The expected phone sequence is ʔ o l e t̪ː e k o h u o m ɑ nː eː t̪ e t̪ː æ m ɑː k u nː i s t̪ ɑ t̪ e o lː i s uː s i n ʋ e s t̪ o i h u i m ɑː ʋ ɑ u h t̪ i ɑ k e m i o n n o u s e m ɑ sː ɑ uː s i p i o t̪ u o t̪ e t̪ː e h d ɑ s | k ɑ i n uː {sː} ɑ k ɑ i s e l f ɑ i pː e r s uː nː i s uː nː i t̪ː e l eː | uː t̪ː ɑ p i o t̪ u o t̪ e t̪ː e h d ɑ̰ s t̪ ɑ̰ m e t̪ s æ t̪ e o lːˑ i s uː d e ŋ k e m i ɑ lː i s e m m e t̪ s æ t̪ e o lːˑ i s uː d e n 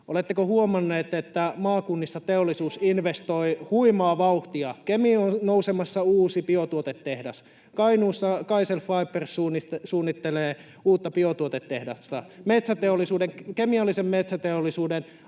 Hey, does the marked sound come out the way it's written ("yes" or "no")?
yes